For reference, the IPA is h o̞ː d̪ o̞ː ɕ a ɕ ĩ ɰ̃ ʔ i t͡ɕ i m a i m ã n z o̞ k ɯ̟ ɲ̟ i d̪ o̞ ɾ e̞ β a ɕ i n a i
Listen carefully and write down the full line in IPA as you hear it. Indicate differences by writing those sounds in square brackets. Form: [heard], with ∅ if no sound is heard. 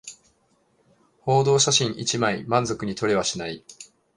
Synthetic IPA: h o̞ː d̪ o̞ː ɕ a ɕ ĩ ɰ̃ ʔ i t͡ɕ i m a i m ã n z o̞ k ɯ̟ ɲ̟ i [t̪] o̞ ɾ e̞ β a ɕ i n a i